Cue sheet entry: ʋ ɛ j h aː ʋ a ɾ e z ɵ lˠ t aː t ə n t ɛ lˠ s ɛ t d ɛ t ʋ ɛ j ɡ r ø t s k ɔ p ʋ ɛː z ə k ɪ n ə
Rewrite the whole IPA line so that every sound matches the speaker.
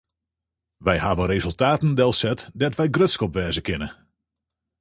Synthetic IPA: ʋ ɛ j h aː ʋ ə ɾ e z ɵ lˠ t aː t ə n d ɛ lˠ s ɛ t d ɛ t ʋ ɛ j ɡ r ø t s k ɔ p ʋ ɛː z ə k ɪ n ə